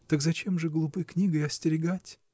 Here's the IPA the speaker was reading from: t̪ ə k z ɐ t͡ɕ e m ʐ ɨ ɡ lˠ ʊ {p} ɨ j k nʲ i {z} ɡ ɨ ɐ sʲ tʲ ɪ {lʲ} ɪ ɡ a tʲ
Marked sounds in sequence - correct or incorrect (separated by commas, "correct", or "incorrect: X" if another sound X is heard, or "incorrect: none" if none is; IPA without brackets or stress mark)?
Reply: correct, incorrect: none, incorrect: ɾʲ